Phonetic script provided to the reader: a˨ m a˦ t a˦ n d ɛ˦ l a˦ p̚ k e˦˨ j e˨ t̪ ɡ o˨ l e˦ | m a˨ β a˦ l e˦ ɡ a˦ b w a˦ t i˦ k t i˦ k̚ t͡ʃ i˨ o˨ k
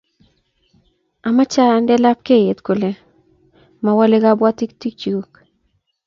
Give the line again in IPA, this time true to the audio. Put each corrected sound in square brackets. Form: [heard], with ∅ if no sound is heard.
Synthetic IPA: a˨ m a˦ [t͡ʃ] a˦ n d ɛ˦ l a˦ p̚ k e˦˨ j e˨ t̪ [k] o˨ l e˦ | m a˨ [w] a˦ l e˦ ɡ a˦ b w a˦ t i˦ k t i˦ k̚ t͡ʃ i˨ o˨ k